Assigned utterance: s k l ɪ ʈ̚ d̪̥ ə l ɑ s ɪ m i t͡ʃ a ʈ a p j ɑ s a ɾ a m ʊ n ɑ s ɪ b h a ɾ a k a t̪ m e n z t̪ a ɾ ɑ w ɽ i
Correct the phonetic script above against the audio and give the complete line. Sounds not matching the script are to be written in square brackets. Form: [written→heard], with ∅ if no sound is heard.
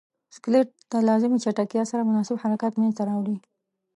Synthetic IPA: s k l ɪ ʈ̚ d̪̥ ə l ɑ [s→z] ɪ m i t͡ʃ a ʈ a [p→k] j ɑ s a ɾ a m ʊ n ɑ s ɪ b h a ɾ a k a t̪ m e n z t̪ a ɾ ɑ w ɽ i